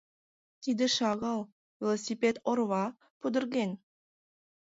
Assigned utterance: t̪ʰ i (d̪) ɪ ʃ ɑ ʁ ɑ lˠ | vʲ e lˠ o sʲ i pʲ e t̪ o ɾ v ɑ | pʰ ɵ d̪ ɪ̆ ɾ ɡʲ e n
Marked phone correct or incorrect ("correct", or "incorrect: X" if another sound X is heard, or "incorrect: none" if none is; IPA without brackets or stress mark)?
correct